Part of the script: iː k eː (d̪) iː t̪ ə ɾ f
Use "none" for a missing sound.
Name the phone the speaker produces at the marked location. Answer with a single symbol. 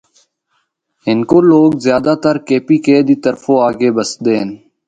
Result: d̪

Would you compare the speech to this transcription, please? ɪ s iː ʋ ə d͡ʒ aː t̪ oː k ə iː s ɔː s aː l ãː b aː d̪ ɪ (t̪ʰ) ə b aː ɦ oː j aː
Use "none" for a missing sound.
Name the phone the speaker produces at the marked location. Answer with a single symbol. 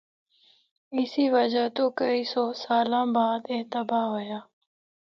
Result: t̪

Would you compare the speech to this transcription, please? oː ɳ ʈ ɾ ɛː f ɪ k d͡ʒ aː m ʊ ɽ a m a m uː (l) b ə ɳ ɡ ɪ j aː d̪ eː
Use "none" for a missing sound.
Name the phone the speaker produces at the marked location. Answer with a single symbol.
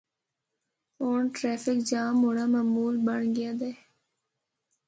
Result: l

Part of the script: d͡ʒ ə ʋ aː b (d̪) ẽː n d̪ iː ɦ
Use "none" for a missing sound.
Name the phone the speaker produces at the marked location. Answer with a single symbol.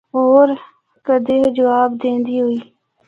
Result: d̪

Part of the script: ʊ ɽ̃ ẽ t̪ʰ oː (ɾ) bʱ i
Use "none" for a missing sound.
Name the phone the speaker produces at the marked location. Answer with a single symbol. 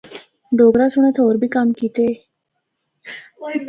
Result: ɾ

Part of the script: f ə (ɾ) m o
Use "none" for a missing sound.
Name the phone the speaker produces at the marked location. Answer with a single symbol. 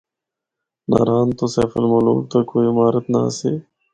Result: l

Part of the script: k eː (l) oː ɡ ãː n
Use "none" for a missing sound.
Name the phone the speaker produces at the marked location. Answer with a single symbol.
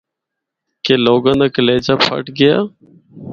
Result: l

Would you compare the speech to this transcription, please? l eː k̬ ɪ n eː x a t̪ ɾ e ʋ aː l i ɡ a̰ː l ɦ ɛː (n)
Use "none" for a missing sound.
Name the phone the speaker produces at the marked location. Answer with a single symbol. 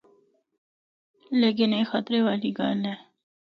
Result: none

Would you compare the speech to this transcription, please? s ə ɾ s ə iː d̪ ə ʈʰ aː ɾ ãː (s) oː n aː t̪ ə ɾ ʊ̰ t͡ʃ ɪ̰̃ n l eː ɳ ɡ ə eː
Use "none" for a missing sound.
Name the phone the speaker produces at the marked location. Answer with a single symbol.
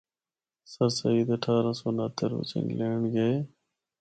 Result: s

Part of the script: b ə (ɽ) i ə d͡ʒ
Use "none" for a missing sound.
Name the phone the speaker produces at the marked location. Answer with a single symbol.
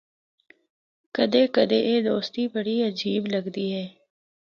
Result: ɽ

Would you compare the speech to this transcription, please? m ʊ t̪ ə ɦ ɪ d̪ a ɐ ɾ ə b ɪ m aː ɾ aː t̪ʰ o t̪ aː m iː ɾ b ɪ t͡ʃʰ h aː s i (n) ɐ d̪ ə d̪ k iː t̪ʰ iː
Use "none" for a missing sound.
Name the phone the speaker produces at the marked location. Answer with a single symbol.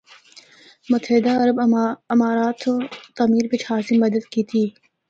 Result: m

